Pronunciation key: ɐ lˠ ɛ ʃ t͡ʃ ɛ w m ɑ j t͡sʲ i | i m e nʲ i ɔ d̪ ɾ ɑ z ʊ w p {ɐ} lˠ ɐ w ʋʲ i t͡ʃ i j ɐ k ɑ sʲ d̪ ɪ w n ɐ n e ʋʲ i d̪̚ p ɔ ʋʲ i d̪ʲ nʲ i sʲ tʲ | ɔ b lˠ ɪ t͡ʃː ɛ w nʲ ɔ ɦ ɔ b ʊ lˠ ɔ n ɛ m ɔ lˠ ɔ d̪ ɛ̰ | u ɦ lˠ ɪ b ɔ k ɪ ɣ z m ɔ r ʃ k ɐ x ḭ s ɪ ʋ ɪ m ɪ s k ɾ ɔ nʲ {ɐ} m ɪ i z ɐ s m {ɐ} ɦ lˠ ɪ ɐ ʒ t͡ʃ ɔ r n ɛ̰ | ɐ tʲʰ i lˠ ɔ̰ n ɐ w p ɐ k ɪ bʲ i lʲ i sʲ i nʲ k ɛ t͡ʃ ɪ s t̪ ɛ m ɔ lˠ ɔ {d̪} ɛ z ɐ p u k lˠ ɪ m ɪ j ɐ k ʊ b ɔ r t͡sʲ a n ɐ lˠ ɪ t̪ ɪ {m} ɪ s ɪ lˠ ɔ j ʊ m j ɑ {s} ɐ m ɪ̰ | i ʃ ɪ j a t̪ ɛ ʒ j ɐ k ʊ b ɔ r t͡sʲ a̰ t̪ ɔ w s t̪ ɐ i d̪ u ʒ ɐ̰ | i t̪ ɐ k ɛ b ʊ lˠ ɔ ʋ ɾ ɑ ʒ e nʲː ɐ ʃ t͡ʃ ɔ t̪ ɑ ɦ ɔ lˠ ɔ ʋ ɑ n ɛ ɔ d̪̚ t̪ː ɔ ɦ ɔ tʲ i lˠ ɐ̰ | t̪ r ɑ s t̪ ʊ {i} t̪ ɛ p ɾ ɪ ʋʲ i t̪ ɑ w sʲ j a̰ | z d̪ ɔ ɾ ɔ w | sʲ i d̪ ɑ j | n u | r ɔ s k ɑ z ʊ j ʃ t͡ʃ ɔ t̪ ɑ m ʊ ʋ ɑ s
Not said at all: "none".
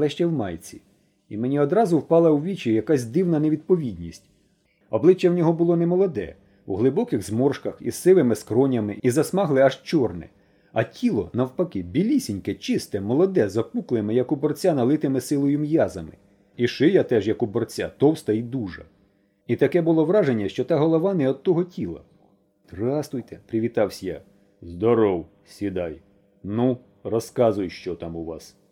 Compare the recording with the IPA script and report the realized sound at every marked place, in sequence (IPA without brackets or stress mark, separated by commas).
ɑ, ɐ, ɑ, d̪, m, z, j